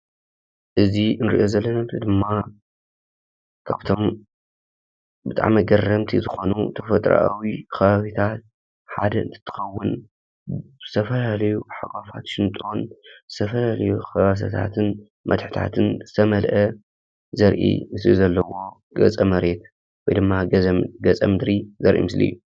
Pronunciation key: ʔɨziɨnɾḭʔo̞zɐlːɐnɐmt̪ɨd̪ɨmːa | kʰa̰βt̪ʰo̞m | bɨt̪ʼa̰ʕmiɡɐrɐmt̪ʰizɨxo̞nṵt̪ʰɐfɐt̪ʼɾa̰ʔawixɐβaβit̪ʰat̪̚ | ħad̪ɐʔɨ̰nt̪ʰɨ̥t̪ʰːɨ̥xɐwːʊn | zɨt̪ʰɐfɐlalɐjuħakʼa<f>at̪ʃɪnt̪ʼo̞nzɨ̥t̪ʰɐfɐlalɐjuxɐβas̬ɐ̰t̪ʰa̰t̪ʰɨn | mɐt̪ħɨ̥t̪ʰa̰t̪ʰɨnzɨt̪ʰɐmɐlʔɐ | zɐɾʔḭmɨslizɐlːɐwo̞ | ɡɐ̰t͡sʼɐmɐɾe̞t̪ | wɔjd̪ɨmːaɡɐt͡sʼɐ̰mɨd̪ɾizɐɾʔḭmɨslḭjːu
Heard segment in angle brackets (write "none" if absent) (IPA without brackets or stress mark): f